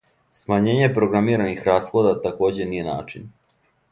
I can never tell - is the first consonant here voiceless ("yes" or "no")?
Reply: yes